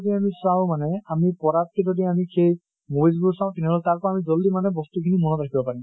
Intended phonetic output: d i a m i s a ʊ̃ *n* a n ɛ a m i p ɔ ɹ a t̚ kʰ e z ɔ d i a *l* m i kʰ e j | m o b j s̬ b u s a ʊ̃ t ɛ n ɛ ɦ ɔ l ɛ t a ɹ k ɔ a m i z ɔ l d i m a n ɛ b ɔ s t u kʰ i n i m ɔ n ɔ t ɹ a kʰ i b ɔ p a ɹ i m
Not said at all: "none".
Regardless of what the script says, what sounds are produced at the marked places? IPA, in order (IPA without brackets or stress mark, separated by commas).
m, none